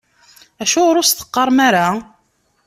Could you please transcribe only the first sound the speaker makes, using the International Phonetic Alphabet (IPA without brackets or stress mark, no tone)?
æ